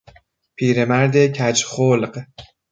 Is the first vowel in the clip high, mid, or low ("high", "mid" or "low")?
high